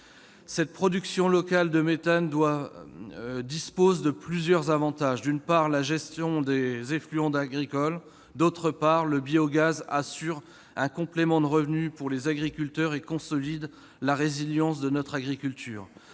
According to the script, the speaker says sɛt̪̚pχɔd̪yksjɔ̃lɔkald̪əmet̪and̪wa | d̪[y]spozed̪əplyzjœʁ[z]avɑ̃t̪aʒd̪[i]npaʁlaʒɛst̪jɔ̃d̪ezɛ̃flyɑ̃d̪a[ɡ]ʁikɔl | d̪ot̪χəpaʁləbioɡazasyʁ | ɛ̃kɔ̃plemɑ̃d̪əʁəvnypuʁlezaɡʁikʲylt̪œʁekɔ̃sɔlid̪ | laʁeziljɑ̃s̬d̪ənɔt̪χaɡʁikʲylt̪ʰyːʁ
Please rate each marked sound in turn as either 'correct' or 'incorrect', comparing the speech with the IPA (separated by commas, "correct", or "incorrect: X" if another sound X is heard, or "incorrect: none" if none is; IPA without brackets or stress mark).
incorrect: i, correct, incorrect: y, correct